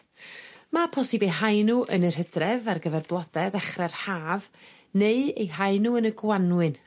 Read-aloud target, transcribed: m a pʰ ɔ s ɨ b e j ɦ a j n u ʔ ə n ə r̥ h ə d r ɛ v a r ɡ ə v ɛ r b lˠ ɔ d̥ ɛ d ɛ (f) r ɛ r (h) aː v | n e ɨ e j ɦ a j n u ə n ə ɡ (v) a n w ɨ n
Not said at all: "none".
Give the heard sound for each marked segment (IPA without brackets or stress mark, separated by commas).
χ, h, w